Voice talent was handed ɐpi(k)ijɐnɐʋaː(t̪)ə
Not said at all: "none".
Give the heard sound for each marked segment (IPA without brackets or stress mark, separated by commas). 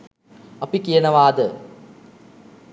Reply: k, d̪